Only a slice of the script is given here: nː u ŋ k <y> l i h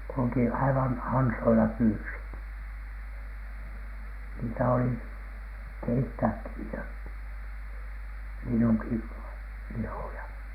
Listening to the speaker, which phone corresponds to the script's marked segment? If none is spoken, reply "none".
i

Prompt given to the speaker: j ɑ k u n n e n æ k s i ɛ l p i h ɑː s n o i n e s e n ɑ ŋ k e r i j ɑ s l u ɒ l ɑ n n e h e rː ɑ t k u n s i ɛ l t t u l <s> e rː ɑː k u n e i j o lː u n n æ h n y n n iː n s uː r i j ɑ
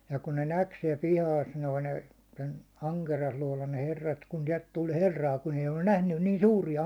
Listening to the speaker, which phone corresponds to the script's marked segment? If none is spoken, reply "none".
h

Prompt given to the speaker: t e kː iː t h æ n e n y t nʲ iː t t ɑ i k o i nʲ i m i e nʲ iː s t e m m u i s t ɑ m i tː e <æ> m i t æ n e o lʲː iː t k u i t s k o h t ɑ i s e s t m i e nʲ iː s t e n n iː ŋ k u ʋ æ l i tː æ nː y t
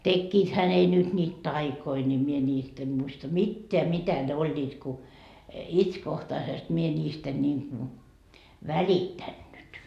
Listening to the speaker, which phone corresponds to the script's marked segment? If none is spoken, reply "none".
æ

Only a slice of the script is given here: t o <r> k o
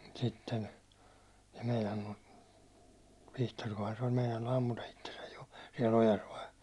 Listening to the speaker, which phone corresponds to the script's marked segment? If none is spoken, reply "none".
r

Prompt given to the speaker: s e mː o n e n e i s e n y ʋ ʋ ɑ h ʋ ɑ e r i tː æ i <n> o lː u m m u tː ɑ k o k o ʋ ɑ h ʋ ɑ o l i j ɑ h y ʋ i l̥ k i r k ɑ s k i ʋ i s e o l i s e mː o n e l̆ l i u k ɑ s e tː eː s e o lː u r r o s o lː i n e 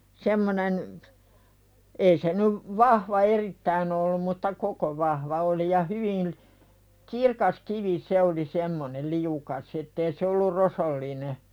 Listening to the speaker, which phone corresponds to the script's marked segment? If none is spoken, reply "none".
n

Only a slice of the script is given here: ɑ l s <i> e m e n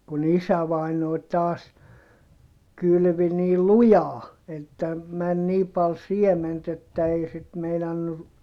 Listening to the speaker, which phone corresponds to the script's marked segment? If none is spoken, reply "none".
i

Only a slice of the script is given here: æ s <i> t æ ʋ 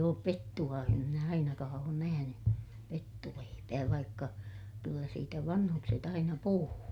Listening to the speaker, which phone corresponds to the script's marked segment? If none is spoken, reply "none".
iː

